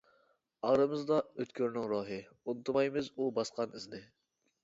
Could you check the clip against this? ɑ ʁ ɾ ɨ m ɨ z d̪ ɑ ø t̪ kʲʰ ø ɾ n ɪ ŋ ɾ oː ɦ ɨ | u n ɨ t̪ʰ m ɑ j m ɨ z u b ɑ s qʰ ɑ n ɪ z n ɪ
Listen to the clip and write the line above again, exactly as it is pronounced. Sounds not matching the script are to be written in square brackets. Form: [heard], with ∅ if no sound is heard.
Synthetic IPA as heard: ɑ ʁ ɾ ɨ m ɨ z d̪ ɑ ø t̪ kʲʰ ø ɾ n ɪ ŋ ɾ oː ɦ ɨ | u n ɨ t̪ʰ m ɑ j m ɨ z u b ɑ s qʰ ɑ n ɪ z n ɪ

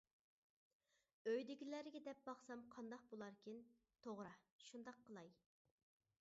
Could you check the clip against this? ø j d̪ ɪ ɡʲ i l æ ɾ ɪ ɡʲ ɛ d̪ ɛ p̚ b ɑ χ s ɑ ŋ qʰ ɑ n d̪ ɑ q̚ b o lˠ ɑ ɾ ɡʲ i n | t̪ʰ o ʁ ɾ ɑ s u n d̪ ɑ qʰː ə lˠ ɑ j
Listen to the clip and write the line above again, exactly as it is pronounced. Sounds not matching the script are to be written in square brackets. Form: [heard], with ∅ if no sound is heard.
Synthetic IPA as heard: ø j d̪ ɪ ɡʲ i l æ ɾ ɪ ɡʲ ɛ d̪ ɛ p̚ b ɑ χ s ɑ [m] qʰ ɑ n d̪ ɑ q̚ b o lˠ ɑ ɾ [kʲ] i n | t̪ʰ o ʁ ɾ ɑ [ʃ] u n d̪ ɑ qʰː ə lˠ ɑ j

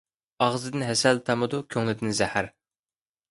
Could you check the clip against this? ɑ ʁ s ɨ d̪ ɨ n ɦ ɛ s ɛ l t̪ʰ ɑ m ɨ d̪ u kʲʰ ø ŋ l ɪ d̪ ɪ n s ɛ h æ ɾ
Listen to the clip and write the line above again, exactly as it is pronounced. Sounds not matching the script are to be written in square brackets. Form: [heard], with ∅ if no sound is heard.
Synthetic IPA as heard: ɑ ʁ [z] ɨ d̪ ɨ n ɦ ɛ s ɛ l t̪ʰ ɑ m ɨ d̪ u kʲʰ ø ŋ l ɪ d̪ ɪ n [z] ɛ h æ ɾ

